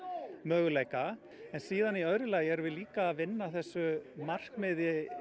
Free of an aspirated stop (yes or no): yes